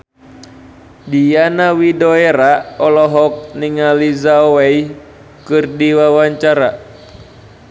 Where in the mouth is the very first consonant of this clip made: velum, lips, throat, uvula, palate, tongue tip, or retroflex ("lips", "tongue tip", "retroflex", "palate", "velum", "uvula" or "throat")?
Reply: tongue tip